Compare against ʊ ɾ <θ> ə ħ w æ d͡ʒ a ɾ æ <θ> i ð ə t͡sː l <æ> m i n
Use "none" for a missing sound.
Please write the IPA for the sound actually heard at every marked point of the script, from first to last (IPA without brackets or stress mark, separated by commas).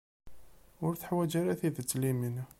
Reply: θ, θ, i